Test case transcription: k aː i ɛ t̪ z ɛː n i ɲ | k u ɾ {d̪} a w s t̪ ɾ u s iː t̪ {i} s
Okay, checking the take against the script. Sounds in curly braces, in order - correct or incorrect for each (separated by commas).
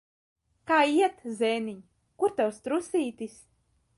incorrect, correct